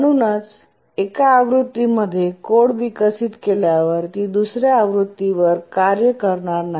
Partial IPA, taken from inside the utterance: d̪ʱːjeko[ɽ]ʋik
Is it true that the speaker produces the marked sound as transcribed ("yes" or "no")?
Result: yes